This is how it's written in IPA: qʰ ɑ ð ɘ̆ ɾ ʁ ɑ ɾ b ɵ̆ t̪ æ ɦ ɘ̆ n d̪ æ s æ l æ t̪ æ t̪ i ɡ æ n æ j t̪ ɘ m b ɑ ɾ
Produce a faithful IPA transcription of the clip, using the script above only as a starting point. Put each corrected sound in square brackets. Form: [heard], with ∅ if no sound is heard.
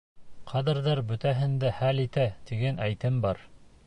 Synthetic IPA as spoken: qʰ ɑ ð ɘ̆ ɾ [ð] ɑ ɾ b ɵ̆ t̪ æ ɦ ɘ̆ n d̪ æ [h] æ l [i] t̪ æ t̪ i ɡ æ n æ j t̪ ɘ m b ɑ ɾ